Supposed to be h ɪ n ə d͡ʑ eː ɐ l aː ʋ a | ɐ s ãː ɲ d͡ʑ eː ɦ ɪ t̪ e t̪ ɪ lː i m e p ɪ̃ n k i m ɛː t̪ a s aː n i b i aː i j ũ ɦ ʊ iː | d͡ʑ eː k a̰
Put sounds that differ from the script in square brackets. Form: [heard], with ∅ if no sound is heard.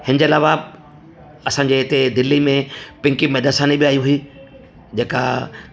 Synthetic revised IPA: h ɪ n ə d͡ʑ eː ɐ l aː ʋ a | ɐ s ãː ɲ d͡ʑ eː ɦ ɪ t̪ e [d̪] ɪ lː i m [ẽ] p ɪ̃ [ŋ] k i m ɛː [d̪] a s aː n i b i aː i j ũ ɦ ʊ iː | d͡ʑ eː k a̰